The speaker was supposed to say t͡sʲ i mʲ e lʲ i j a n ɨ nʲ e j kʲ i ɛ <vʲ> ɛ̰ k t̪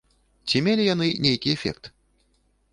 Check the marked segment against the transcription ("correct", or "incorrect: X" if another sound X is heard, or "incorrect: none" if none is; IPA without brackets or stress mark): incorrect: fʲ